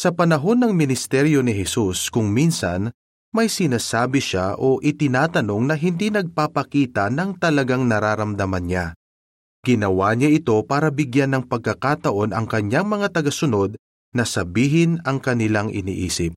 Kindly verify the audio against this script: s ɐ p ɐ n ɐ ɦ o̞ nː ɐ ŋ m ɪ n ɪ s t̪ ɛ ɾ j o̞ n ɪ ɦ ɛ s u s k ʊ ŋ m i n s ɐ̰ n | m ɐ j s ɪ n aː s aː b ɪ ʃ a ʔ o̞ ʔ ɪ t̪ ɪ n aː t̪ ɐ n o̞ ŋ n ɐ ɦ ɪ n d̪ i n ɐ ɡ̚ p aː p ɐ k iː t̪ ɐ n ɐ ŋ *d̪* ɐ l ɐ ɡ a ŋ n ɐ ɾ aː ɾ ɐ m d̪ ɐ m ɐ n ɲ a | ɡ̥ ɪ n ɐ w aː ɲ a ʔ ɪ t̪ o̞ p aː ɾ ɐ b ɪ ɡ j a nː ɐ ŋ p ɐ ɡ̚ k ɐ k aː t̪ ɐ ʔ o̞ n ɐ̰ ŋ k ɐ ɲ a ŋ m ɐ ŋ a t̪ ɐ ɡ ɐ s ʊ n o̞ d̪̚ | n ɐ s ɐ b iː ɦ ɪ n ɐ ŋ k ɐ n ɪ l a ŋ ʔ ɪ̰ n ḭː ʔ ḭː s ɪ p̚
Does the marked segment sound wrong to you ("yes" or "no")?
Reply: yes